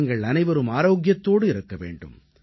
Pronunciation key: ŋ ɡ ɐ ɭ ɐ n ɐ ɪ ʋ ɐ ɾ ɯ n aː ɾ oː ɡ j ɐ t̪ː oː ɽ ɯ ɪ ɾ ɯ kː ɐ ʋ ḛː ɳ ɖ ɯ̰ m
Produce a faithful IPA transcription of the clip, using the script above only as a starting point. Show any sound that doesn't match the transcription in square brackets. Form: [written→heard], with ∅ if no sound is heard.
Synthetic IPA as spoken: ŋ ɡ ɐ ɭ ɐ n ɐ ɪ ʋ ɐ ɾ ɯ [n→m] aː ɾ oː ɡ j ɐ t̪ː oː ɽ ɯ ɪ ɾ ɯ kː ɐ ʋ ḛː ɳ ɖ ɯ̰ m